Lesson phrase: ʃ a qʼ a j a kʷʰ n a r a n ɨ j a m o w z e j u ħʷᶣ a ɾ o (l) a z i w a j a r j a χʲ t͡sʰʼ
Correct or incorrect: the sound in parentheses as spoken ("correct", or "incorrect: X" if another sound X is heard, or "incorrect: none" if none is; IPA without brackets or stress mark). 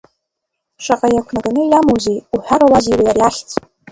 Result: correct